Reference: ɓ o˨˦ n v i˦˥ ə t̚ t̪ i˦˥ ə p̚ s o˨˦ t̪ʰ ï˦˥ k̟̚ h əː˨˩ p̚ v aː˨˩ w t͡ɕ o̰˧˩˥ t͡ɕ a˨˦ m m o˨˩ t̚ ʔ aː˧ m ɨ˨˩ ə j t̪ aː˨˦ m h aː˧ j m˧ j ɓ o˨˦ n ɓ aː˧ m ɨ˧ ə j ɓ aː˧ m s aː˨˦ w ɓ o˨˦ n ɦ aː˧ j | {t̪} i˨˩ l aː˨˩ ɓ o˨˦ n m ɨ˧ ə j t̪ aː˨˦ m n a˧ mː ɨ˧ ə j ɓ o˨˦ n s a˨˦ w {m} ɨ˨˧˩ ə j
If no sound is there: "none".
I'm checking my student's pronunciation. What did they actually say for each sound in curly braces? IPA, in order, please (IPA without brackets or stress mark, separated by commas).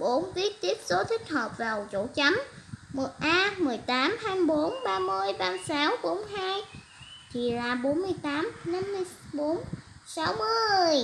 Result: t̪ʰ, m